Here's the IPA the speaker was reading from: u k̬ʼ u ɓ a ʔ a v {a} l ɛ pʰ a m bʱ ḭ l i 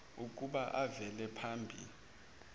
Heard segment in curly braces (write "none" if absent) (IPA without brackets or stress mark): ɛ